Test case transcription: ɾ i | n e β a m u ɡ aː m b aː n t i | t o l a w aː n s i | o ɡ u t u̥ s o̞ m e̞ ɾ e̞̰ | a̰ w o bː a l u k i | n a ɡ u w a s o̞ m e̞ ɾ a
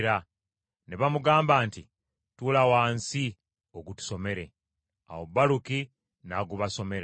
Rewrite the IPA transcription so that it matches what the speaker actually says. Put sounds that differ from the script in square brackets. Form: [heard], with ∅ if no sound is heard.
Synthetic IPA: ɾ [a] | n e β a m u ɡ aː m b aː n t i | t [u] l a w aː n s i | o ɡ u t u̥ s o̞ m e̞ ɾ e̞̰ | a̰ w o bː a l u k i | n a ɡ u [β] a s o̞ m e̞ ɾ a